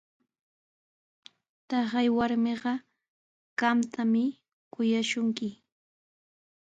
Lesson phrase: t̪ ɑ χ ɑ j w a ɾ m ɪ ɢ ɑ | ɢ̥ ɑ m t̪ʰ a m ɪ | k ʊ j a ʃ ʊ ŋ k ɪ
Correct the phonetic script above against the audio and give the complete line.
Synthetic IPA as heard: t̪ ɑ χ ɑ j w a ɾ m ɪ ɢ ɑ | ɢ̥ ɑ m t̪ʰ a m ɪ | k ʊ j a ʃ ʊ ŋ k ɪ